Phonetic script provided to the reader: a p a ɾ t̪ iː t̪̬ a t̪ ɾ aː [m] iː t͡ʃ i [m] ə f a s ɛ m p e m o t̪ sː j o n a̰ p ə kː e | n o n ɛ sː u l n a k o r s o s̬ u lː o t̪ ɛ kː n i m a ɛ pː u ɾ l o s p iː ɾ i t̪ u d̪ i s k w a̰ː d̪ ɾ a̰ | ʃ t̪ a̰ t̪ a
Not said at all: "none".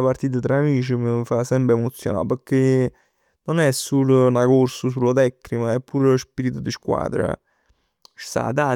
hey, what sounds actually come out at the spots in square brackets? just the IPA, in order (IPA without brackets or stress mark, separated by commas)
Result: m, m